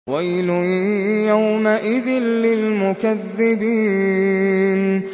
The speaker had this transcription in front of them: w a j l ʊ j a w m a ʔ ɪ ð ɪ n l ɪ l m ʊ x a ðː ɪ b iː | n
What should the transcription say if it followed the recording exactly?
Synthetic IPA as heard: w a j l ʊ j a w m a ʔ ɪ ð ɪ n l ɪ l m ʊ k a ðː ɪ b iː | n